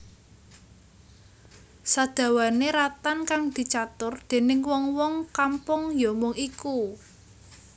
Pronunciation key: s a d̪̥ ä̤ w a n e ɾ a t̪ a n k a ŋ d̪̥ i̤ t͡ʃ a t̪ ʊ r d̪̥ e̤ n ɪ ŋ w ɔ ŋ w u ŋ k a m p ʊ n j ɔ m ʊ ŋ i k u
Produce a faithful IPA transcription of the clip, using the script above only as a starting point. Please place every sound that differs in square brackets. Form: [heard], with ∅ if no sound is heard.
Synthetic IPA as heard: s a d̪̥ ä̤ w a n e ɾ a t̪ a n k a ŋ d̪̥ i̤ t͡ʃ a t̪ ʊ r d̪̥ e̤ n ɪ ŋ w ɔ ŋ w [ɔ] ŋ k a m p ʊ [ŋ] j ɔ m ʊ ŋ i k u